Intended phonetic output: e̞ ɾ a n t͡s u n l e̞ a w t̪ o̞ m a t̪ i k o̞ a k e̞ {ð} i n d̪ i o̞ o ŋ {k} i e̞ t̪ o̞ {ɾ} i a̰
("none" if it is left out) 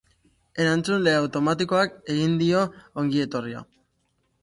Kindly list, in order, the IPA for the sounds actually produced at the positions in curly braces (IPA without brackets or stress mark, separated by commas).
ɣ, ɡ, r